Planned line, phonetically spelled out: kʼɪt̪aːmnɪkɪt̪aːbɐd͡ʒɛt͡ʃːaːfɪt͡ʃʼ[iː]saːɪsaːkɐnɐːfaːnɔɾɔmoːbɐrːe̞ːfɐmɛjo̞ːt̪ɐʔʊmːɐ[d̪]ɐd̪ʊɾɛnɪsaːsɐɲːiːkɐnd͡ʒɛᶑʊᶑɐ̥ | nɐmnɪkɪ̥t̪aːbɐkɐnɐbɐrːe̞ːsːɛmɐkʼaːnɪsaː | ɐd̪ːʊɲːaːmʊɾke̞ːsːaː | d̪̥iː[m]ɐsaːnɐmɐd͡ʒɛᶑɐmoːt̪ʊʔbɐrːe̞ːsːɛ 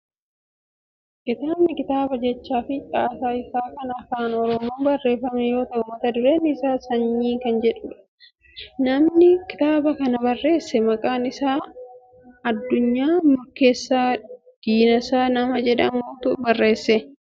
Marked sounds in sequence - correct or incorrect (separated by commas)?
incorrect, incorrect, incorrect